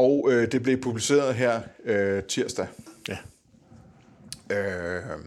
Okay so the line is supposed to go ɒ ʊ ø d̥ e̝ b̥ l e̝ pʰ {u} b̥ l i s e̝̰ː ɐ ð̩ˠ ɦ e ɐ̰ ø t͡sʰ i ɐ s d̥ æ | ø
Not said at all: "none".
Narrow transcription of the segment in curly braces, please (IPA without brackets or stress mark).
u